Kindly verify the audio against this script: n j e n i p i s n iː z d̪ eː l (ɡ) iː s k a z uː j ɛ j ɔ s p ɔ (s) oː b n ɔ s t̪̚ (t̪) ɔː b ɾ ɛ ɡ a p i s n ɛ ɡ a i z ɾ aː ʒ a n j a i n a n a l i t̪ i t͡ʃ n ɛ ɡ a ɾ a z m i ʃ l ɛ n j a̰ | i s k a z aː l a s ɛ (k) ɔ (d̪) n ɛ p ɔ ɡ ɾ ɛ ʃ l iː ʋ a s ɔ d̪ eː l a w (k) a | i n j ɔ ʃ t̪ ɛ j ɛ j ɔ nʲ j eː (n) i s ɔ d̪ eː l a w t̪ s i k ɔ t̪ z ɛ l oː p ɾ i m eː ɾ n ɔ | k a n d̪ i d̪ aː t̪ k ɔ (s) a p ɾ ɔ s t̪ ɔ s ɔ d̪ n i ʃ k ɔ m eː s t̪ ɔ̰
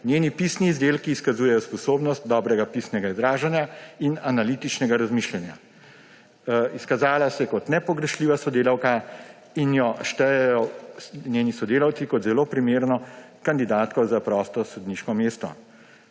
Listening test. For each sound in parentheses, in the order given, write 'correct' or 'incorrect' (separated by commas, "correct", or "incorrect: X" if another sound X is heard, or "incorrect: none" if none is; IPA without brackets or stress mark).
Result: incorrect: k, correct, incorrect: d̪, correct, incorrect: t̪, correct, correct, incorrect: z